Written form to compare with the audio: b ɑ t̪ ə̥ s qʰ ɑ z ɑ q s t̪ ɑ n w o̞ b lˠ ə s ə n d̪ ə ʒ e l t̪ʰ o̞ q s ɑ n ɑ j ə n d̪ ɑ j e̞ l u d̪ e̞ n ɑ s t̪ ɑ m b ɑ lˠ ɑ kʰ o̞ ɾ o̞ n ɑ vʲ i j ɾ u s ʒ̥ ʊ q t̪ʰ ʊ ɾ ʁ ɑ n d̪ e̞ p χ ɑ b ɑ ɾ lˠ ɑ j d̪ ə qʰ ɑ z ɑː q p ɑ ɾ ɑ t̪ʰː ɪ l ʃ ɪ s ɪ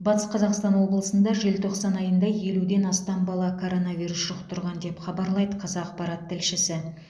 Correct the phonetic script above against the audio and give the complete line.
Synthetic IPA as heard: b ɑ t̪ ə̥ s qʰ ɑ z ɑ q s t̪ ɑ n w o̞ b lˠ ə s ə n d̪ ɑ ʒ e l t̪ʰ o̞ q s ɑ n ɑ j ə n d̪ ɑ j e̞ l u d̪ e̞ n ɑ s t̪ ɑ m b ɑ lˠ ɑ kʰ o̞ ɾ o̞ n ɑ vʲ i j ɾ u s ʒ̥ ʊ q t̪ʰ ʊ ɾ ʁ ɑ n d̪ e̞ p χ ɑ b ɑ ɾ lˠ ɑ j d̪ ə qʰ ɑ z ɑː q p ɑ ɾ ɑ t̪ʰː ɪ l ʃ ɪ s ɪ

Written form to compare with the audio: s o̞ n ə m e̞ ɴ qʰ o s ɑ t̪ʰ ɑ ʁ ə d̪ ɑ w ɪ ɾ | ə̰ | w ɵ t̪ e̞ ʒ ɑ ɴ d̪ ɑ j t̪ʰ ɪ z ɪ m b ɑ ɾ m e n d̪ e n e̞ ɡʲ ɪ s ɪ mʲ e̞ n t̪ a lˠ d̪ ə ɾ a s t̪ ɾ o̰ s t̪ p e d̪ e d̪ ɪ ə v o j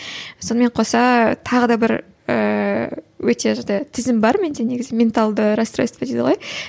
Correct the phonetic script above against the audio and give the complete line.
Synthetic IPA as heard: s o̞ n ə m e̞ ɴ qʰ o s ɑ t̪ʰ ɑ ʁ ə d̪ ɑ b ɪ ɾ | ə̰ | w ɵ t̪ e̞ ʒ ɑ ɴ d̪ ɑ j t̪ʰ ɪ z ɪ m b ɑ ɾ m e n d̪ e n e̞ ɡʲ ɪ z ɪ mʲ e̞ n t̪ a lˠ d̪ ə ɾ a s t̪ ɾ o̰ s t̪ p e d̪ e d̪ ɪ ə ʁ o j

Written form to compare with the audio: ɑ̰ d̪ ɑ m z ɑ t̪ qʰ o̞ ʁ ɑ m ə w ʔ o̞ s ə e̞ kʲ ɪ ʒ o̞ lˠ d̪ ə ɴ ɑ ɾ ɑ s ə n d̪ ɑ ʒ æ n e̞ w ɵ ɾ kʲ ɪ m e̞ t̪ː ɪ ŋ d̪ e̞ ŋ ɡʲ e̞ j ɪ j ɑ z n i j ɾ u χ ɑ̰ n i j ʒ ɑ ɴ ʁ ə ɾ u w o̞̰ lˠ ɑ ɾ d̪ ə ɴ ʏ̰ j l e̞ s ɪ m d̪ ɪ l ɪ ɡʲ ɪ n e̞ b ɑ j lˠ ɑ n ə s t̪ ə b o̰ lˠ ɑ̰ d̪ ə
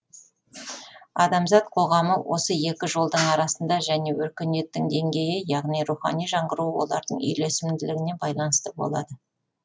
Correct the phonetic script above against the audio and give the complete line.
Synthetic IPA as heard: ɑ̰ d̪ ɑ m z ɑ t̪ qʰ o̞ ʁ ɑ m ə w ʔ o̞ s ə e̞ kʲ ɪ ʒ o̞ lˠ d̪ ə ɴ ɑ ɾ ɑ s ə n d̪ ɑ ʒ æ n e̞ w ɵ ɾ kʲ ɪ n e̞ t̪ː ɪ ŋ d̪ e̞ ŋ ɡʲ e̞ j ɪ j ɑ ʁ n i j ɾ u χ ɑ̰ n i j ʒ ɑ ɴ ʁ ə ɾ u w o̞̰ lˠ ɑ ɾ d̪ ə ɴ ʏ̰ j l e̞ s ɪ m d̪ ɪ l ɪ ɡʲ ɪ n e̞ b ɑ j lˠ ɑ n ə s t̪ ə b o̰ lˠ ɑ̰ d̪ ə

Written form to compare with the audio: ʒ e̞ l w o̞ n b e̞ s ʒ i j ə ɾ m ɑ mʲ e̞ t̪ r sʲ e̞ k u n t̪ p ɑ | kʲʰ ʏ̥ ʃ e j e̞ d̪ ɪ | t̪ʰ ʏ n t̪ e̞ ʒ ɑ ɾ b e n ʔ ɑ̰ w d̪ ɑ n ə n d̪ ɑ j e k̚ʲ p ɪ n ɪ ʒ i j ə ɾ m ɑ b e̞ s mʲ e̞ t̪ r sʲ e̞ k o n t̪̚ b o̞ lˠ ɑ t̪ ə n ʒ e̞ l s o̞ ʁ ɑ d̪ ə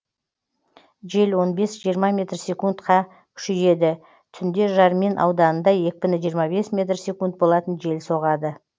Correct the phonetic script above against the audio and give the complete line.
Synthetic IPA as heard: ʒ e̞ l w o̞ n b e̞ s ʒ i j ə ɾ m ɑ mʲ e̞ t̪ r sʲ e̞ k u n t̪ q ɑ | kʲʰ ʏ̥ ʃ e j e̞ d̪ ɪ | t̪ʰ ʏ n d̪ e̞ ʒ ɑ ɾ m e n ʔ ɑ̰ w d̪ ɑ n ə n d̪ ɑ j e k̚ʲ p ɪ n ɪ ʒ i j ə ɾ m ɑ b e̞ s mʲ e̞ t̪ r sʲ e̞ k u n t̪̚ b o̞ lˠ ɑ t̪ ə n ʒ e̞ l s o̞ ʁ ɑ d̪ ə

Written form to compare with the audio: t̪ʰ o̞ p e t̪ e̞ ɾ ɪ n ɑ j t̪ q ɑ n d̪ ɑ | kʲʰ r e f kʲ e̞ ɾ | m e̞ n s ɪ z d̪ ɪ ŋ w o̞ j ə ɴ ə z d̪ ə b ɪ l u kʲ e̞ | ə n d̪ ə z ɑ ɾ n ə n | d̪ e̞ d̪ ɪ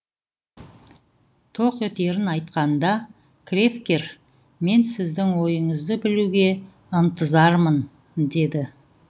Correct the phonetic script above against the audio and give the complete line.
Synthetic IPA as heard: t̪ʰ o̞ q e t̪ e̞ ɾ ɪ n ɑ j t̪ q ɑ n d̪ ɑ | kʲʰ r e f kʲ e̞ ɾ | m e̞ n s ɪ z d̪ ɪ ŋ w o̞ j ə ɴ ə z d̪ ə b ɪ l u ɡʲ e̞ | ə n t̪ ə z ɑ ɾ m ə n | d̪ e̞ d̪ ɪ

